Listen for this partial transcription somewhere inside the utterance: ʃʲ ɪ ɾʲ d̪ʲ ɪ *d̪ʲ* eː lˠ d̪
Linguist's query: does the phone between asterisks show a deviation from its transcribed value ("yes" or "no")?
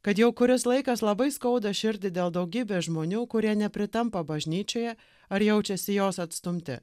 no